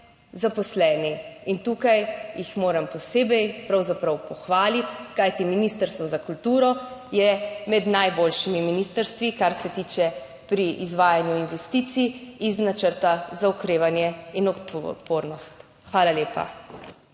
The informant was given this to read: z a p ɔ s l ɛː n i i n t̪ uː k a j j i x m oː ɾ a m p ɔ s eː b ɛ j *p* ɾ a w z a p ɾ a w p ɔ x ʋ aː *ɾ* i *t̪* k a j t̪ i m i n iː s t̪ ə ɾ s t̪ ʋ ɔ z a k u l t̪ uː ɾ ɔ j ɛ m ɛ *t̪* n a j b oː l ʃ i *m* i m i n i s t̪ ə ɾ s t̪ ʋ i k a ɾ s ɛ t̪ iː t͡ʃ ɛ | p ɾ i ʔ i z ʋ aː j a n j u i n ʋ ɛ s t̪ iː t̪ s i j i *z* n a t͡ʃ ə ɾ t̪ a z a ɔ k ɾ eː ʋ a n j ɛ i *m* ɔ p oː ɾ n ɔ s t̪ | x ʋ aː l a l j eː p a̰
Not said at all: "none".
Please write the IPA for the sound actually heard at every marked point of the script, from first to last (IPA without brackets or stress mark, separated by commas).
p, l, t̪, d̪, m, z, n